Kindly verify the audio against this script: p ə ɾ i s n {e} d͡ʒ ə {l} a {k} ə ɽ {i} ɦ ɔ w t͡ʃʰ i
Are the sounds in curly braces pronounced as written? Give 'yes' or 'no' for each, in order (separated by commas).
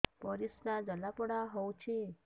no, yes, no, no